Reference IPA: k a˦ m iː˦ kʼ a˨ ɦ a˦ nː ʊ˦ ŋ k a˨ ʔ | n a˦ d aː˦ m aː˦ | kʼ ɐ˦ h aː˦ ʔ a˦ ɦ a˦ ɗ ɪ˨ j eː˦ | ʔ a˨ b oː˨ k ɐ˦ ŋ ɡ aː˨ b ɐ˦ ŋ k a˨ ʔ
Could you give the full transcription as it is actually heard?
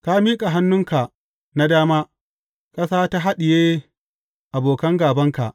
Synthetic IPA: k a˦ m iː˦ kʼ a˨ ɦ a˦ nː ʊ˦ ŋ k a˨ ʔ | n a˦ d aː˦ m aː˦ | kʼ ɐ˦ s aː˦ t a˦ ɦ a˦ ɗ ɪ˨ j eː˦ | ʔ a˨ b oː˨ k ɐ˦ ŋ ɡ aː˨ b ɐ˦ ŋ k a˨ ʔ